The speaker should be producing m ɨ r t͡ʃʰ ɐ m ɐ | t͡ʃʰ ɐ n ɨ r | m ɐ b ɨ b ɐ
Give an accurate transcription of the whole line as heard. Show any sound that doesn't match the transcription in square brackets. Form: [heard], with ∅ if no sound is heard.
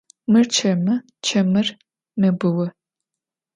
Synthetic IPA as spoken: m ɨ r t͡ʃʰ ɐ m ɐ | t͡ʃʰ ɐ [m] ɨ r | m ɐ b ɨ [w] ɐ